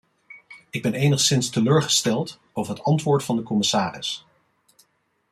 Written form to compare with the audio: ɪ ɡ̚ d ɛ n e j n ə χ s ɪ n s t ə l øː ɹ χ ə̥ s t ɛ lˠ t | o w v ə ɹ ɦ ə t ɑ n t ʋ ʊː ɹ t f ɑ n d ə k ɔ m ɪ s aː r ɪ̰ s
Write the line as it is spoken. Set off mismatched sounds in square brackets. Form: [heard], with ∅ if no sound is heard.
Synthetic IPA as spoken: ɪ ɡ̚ [b] ɛ n e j n ə χ s ɪ n s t ə l øː ɹ χ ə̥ s t ɛ lˠ t | o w v ə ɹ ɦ ə t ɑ n t ʋ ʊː ɹ t f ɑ n d ə k ɔ m ɪ s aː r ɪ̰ s